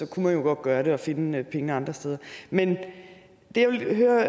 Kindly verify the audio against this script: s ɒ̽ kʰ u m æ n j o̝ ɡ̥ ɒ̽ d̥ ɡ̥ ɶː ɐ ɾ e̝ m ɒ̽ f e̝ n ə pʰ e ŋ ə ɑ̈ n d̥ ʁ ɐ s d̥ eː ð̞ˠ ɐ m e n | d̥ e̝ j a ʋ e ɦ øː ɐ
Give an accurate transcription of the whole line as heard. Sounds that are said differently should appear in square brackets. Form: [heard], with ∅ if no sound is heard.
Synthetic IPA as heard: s ɒ̽ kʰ u m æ n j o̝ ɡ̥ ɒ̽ d̥ ɡ̥ ɶː ɐ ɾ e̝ [∅] ɒ̽ f e̝ n ə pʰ e ŋ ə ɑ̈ n d̥ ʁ ɐ s d̥ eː ð̞ˠ ɐ m e n | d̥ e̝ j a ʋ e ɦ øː ɐ

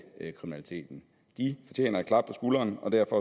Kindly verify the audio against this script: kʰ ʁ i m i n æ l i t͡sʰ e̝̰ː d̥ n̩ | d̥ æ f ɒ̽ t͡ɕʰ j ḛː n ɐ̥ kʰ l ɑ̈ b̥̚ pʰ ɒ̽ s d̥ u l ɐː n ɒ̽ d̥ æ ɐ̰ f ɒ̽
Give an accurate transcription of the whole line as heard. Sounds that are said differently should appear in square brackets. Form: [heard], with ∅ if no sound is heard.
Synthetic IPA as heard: kʰ ʁ i m i n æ l i t͡sʰ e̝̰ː d̥ n̩ | d̥ [i] f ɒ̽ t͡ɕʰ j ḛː n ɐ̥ kʰ l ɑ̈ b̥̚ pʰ ɒ̽ s [ɡ̥] u l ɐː n ɒ̽ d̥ æ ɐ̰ f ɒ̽

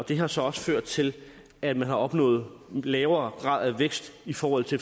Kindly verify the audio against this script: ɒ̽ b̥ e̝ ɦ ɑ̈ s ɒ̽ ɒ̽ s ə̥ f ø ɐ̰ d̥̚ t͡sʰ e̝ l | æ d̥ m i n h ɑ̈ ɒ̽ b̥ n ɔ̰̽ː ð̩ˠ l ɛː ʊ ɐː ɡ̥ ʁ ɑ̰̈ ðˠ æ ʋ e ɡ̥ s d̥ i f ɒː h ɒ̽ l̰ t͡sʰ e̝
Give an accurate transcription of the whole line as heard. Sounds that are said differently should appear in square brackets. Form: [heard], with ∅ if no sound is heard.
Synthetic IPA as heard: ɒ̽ [d̥] e̝ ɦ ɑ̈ s ɒ̽ ɒ̽ s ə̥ f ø ɐ̰ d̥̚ t͡sʰ e̝ l | æ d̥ m [æ] n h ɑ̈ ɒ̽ b̥ n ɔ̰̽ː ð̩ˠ l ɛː ʊ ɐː ɡ̥ ʁ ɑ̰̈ ðˠ æ ʋ e ɡ̥ s d̥ i f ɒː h ɒ̽ l̰ t͡sʰ e̝

